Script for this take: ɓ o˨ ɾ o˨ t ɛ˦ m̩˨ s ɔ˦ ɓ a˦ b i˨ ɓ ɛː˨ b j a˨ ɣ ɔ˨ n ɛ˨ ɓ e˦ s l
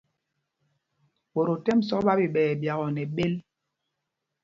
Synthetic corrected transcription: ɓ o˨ ɾ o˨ t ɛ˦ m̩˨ s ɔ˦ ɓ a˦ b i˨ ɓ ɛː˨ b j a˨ ɣ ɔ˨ n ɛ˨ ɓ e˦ l